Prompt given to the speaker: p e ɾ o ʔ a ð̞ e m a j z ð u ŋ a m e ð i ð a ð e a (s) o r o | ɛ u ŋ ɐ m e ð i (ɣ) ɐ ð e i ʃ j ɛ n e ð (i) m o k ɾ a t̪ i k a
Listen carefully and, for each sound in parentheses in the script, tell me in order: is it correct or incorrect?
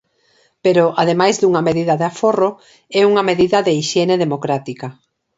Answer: incorrect, incorrect, incorrect

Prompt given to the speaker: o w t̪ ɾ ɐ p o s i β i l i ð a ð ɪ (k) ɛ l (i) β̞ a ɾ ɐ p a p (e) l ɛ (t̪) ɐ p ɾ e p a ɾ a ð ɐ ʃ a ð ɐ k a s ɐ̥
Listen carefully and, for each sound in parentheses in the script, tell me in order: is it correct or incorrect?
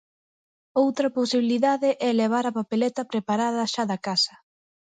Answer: incorrect, incorrect, correct, correct

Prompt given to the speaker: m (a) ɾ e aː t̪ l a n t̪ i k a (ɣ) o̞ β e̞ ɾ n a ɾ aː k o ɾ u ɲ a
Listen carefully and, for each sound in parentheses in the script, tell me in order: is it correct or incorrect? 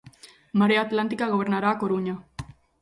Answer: correct, correct

